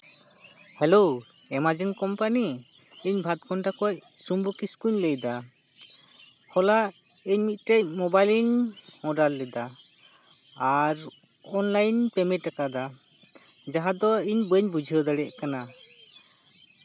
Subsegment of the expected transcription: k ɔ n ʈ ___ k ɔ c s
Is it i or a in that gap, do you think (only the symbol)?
a